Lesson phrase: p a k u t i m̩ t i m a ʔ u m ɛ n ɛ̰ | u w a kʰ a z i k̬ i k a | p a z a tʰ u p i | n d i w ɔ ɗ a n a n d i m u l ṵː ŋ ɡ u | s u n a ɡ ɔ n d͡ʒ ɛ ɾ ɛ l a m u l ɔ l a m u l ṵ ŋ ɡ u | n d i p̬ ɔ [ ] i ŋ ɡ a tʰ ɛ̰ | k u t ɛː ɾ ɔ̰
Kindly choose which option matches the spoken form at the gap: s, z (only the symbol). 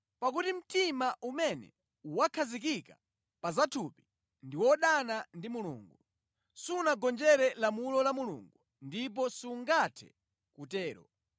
s